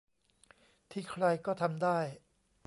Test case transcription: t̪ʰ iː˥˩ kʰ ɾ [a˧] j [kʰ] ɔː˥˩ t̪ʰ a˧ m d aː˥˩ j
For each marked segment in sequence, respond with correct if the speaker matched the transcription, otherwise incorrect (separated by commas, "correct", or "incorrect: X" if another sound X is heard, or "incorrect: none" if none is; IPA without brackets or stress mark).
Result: correct, incorrect: k